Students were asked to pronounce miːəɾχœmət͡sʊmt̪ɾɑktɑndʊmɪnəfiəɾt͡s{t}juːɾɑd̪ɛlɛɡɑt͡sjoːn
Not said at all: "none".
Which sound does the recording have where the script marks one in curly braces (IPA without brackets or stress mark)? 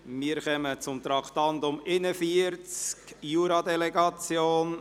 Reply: k